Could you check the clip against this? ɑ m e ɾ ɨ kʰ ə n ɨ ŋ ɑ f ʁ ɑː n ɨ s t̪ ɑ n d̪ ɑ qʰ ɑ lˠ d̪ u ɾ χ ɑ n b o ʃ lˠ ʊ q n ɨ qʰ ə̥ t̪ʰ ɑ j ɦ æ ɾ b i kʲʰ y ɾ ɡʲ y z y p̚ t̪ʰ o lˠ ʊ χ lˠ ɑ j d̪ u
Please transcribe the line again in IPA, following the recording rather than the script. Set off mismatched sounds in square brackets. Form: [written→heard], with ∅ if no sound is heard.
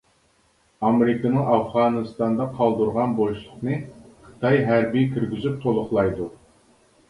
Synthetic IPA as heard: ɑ m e ɾ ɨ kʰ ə n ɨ ŋ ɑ f ʁ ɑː n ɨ s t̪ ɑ n d̪ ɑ qʰ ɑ lˠ d̪ u ɾ [χ→ʁ] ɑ n b o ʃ lˠ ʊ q n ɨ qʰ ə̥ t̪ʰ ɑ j ɦ æ ɾ b i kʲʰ y ɾ ɡʲ y z y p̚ t̪ʰ o lˠ ʊ χ lˠ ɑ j d̪ u